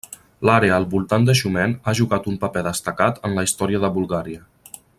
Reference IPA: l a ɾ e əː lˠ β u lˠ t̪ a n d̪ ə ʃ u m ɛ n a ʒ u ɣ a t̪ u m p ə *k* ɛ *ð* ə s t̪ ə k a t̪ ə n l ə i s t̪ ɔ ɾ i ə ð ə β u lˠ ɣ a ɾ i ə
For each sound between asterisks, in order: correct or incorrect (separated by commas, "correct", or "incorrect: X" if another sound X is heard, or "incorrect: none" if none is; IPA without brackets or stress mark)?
incorrect: p, correct